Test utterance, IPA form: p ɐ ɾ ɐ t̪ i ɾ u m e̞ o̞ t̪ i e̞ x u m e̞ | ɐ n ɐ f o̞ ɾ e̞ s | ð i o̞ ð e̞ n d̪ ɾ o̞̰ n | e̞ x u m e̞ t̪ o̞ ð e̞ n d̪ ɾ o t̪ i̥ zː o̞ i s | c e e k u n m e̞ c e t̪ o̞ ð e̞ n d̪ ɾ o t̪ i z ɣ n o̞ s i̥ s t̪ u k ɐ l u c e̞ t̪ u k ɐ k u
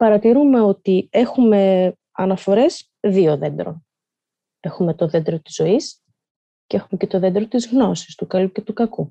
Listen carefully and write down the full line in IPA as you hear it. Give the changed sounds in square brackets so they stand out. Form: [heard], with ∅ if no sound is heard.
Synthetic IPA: p ɐ ɾ ɐ t̪ i ɾ u m e̞ o̞ t̪ i e̞ x u m e̞ | ɐ n ɐ f o̞ ɾ e̞ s | ð i o̞ ð e̞ n d̪ ɾ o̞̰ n | e̞ x u m e̞ t̪ o̞ ð e̞ n d̪ ɾ o t̪ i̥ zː o̞ i s | c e e [x] u [∅] m e̞ c e t̪ o̞ ð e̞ n d̪ ɾ o t̪ i z ɣ n o̞ s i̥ s t̪ u k ɐ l u c e̞ t̪ u k ɐ k u